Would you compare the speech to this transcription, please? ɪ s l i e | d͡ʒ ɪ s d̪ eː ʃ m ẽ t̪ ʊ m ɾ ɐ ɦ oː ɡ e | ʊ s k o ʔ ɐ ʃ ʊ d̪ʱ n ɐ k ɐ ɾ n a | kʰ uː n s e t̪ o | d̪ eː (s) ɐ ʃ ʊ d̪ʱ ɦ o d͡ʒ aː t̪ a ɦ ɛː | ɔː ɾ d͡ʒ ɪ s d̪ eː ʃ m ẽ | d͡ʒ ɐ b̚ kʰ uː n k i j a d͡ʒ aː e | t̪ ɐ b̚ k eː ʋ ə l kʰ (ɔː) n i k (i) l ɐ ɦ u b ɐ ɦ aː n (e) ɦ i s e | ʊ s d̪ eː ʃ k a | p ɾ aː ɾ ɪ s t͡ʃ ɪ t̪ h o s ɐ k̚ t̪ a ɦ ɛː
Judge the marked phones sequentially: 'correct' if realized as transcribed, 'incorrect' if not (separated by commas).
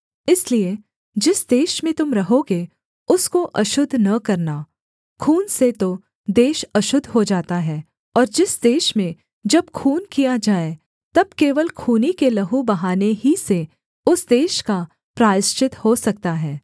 incorrect, incorrect, incorrect, correct